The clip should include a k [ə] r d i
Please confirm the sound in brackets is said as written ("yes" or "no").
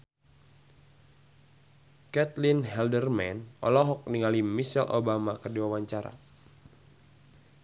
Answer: yes